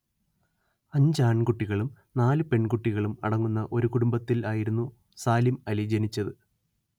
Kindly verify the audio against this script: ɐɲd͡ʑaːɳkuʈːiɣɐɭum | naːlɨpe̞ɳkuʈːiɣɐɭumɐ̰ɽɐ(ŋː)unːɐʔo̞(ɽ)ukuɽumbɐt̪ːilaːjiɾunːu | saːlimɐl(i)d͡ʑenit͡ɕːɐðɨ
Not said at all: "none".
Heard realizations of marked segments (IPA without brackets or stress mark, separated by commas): ŋː, ɾ, i